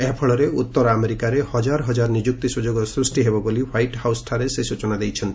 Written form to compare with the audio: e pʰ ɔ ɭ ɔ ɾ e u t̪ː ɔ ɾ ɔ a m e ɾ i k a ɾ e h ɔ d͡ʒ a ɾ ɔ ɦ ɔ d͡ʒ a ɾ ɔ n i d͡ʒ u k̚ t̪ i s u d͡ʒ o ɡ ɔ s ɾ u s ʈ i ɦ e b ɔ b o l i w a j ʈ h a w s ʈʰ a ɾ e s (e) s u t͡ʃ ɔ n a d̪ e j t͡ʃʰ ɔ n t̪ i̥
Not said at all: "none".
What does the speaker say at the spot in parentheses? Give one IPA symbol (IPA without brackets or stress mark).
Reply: e